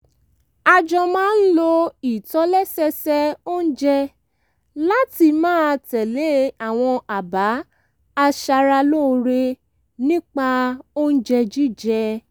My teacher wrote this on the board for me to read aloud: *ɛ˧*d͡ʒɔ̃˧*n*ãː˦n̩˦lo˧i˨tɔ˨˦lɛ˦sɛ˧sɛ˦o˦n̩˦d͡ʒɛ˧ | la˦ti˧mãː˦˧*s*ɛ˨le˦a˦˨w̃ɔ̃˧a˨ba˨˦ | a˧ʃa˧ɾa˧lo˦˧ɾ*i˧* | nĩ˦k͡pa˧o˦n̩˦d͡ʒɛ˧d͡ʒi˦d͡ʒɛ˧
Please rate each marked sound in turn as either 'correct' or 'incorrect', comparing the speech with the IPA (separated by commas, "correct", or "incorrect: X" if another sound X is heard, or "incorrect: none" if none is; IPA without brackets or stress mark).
incorrect: a˧, incorrect: m, incorrect: t, incorrect: e˧